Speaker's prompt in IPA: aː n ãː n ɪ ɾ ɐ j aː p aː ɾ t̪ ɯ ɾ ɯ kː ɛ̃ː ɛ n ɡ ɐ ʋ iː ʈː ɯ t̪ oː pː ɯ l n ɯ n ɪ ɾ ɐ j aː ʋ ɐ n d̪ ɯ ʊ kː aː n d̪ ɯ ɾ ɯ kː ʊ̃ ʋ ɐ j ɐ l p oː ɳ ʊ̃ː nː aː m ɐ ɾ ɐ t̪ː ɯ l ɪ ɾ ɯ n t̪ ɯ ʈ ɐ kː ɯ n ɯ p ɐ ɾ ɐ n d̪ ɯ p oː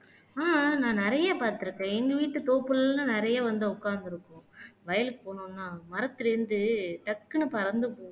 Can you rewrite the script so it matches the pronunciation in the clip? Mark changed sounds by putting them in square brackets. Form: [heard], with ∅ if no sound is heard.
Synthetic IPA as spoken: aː n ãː n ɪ ɾ ɐ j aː p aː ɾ t̪ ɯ ɾ ɯ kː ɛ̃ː ɛ [ŋ] ɡ ɐ ʋ iː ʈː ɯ t̪ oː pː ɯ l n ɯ n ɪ ɾ ɐ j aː ʋ ɐ n d̪ ɯ ʊ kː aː n d̪ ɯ ɾ ɯ kː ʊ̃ ʋ ɐ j ɐ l p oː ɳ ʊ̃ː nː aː m ɐ ɾ ɐ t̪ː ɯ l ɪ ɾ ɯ n [d̪] ɯ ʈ ɐ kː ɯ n ɯ p ɐ ɾ ɐ n d̪ ɯ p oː